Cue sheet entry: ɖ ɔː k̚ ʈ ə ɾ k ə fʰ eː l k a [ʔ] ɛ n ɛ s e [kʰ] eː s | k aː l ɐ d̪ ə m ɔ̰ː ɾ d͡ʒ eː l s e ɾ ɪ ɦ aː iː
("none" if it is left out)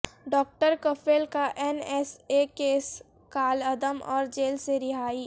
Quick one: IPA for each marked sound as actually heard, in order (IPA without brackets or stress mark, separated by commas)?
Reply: ʔ, k